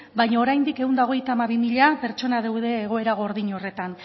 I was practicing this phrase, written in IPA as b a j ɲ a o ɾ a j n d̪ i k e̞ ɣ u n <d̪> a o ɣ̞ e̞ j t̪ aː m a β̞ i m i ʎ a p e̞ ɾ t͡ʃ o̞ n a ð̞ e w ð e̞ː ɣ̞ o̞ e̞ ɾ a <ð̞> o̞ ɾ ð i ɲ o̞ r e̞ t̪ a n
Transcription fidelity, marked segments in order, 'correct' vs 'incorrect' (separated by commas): correct, incorrect